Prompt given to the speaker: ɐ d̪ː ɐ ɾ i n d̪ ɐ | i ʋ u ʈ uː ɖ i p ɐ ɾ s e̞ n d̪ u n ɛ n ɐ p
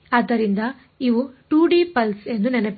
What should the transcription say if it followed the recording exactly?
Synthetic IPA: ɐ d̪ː ɐ ɾ i n d̪ ɐ | i ʋ u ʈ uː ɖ i p ɐ l s e̞ n d̪ u n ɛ n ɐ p

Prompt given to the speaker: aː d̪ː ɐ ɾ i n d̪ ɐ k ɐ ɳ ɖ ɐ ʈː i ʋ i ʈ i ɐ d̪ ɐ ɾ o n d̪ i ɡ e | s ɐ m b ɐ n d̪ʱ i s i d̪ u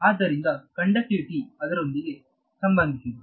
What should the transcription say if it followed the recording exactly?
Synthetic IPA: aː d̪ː ɐ ɾ i n d̪ ɐ k ɐ ɳ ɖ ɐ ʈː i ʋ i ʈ i ɐ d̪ ɐ ɾ o n d̪ i ɡ e | s ɐ m b ɐ n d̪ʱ i s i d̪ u

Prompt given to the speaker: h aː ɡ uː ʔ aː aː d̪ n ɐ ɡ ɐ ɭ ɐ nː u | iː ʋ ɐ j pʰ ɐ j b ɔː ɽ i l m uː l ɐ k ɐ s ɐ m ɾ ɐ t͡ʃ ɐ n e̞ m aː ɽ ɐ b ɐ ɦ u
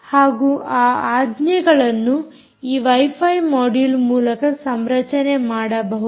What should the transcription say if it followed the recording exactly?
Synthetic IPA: h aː ɡ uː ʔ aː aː d̪ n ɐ ɡ ɐ ɭ ɐ nː u | iː ʋ ɐ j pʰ ɐ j m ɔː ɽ i l m uː l ɐ k ɐ s ɐ m ɾ ɐ t͡ʃ ɐ n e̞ m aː ɽ ɐ b ɐ ɦ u

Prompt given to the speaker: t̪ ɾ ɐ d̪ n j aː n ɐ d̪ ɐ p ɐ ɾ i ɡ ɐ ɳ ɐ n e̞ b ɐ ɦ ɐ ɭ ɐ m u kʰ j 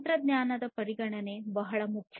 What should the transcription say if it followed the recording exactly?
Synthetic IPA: t̪ ɾ ɐ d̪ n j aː n ɐ d̪ ɐ p ɐ ɾ i ɡ ɐ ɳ ɐ n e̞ b ɐ ɦ ɐ ɭ ɐ m u kʰ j

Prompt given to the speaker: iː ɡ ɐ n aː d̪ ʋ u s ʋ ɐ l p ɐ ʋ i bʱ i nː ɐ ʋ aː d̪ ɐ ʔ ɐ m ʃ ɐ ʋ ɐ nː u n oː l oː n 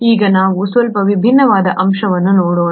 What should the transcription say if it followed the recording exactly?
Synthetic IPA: iː ɡ ɐ n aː ʋ u s ʋ ɐ l p ɐ ʋ i bʱ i nː ɐ ʋ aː d̪ ɐ ʔ ɐ m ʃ ɐ ʋ ɐ nː u n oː ɽ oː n

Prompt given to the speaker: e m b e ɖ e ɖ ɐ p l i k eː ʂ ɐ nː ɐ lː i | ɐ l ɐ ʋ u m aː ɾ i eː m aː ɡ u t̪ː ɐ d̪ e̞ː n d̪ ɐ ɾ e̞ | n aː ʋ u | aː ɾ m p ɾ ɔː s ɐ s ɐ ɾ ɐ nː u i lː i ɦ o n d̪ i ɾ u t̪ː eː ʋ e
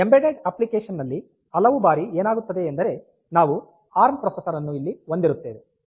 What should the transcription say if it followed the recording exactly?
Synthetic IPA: e m b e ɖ e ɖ ɐ p l i k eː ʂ ɐ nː ɐ lː i | ɐ l ɐ ʋ u b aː ɾ i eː n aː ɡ u t̪ː ɐ d̪ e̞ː n d̪ ɐ ɾ e̞ | n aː ʋ u | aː ɾ m p ɾ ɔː s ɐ s ɐ ɾ ɐ nː u i lː i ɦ o n d̪ i ɾ u t̪ː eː ʋ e

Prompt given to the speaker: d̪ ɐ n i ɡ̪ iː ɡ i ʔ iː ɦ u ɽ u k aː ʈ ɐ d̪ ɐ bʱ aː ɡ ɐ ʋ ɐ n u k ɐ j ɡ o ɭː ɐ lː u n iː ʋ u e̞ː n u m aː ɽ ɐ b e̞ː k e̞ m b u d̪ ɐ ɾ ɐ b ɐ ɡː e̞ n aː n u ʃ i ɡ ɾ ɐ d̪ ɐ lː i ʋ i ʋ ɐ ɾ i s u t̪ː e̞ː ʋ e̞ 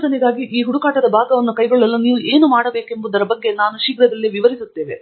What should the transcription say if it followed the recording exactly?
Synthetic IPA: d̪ ɐ n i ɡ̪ aː ɡ i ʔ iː ɦ u ɽ u k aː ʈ ɐ d̪ ɐ bʱ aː ɡ ɐ ʋ ɐ nː u k ɐ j ɡ o ɭː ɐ lː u n iː ʋ u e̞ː n u m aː ɽ ɐ b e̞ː k e̞ m b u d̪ ɐ ɾ ɐ b ɐ ɡː e̞ n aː n u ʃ i ɡ ɾ ɐ d̪ ɐ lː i ʋ i ʋ ɐ ɾ i s u t̪ː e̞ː ʋ e̞

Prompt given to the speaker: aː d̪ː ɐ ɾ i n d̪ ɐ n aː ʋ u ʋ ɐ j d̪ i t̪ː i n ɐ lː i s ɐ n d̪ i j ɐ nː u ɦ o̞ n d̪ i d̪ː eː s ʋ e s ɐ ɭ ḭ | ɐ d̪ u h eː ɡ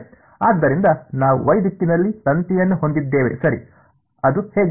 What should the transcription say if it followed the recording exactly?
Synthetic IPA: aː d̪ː ɐ ɾ i n d̪ ɐ n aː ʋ u ʋ ɐ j d̪ i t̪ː i n ɐ lː i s ɐ n t̪ i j ɐ nː u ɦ o̞ n d̪ i d̪ː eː ʋ e s ɐ ɾ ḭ | ɐ d̪ u h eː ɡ

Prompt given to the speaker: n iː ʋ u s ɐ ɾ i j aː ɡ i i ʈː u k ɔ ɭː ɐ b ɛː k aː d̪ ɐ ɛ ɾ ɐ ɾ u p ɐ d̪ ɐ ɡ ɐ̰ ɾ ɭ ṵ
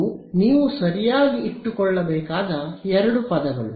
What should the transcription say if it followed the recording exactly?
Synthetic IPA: n iː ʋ u s ɐ ɾ i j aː ɡ i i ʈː u k ɔ ɭː ɐ b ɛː k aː d̪ ɐ ɛ ɾ ɐ ɽ u p ɐ d̪ ɐ ɡ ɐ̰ ɭ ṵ

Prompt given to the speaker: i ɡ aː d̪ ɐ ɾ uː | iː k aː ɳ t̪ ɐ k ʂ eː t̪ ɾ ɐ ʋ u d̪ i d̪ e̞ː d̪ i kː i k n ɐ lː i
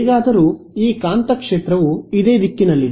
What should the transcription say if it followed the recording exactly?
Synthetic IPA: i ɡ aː d̪ ɐ ɾ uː | iː k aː n t̪ ɐ k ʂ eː t̪ ɾ ɐ ʋ u i d̪ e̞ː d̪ i kː i n ɐ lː i

